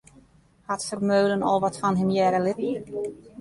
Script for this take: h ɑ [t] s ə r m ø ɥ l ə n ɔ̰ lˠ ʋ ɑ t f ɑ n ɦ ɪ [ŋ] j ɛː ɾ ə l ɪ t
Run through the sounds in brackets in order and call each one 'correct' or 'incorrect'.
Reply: correct, incorrect: m

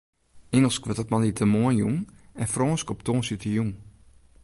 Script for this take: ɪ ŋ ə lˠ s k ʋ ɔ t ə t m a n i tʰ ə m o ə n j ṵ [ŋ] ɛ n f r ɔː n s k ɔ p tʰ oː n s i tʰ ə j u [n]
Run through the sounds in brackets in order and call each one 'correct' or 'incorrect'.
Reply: correct, incorrect: ŋ

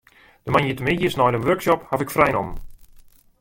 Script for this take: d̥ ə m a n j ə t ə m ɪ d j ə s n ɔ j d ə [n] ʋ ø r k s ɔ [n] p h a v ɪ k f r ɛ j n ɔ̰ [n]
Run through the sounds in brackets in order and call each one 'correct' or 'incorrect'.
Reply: correct, incorrect: none, incorrect: m

